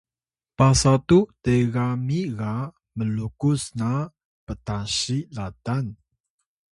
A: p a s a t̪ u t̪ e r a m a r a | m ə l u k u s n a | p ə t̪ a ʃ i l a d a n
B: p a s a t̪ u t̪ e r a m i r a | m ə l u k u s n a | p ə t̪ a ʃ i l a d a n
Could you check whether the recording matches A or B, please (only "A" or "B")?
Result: B